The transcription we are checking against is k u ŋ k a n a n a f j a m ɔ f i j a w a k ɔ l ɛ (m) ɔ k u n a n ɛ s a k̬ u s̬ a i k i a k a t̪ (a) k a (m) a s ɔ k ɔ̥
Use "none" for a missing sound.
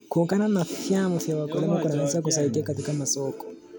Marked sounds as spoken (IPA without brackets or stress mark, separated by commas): m, i, m